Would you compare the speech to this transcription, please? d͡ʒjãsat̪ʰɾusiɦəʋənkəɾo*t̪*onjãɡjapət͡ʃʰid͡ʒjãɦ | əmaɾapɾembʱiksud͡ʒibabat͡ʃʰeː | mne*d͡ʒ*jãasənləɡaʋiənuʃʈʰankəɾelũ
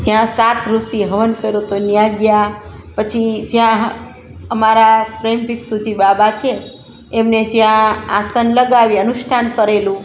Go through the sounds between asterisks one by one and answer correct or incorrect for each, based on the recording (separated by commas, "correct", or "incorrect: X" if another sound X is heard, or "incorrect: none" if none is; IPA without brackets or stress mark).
correct, correct